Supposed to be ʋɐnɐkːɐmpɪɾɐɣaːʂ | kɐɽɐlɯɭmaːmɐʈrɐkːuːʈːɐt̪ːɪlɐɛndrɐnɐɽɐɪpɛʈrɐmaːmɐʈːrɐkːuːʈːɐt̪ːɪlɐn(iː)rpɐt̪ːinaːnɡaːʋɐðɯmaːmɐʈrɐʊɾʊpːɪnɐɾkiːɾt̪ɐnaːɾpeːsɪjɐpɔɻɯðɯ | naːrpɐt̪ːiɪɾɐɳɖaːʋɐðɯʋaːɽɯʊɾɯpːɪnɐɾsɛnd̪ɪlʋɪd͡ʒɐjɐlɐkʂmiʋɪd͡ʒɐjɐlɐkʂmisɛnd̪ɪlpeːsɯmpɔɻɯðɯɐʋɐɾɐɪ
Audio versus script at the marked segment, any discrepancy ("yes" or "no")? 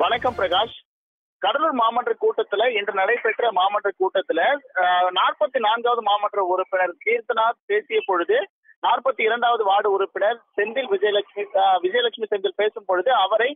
yes